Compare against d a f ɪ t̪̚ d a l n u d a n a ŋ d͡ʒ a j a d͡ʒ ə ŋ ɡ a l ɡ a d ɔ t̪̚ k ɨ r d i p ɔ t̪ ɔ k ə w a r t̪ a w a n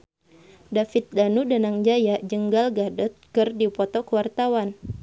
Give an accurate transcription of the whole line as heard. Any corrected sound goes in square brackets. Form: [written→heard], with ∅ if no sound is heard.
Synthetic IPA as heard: d a f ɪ t̪̚ d a [l→∅] n u d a n a ŋ d͡ʒ a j a d͡ʒ ə ŋ ɡ a l ɡ a d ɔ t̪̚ k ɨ r d i p ɔ t̪ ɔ k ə w a r t̪ a w a n